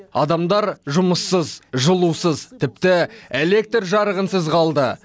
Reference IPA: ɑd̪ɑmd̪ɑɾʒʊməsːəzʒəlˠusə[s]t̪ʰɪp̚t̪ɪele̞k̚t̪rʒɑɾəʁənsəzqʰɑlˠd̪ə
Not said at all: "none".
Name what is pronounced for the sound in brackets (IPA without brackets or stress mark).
z